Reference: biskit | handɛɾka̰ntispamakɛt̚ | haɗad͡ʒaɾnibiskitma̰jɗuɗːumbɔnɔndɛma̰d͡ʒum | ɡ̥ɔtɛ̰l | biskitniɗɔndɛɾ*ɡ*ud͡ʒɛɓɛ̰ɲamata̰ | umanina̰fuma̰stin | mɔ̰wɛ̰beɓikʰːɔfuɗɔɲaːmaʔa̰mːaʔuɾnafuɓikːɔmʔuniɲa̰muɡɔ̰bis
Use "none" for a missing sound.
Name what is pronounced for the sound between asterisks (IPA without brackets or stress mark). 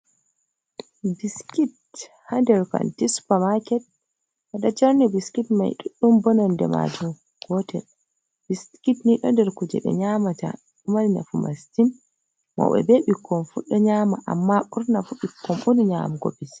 k